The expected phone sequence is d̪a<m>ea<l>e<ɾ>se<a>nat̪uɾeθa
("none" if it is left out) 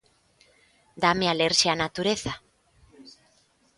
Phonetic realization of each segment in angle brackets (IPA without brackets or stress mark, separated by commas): m, l, ɾ, a